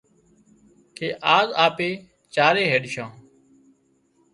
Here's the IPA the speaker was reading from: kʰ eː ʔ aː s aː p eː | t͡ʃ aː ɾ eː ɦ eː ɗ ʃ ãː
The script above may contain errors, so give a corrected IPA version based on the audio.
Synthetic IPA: kʰ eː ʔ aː z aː p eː | t͡ʃ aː ɾ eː ɦ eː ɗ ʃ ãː